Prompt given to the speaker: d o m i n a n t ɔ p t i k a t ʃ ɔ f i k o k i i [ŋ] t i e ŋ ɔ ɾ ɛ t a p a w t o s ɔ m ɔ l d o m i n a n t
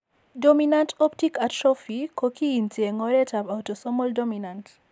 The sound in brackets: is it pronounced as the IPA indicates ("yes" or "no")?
no